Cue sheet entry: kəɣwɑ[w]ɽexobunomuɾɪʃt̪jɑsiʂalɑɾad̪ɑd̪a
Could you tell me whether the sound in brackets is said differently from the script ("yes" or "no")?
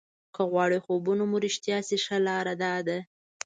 yes